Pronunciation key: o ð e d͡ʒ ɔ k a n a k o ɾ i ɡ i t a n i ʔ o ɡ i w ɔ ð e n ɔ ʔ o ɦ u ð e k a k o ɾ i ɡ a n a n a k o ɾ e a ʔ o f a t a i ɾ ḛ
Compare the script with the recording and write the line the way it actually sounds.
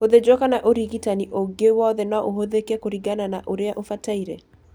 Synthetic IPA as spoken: o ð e d͡ʒ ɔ k a n a ʔ o ɾ i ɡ i t a n i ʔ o ɡ e w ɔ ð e n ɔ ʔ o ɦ o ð e k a k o ɾ i ɡ a n a n a ʔ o ɾ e a ʔ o f a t a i ɾ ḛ